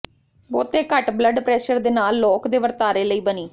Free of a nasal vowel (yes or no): yes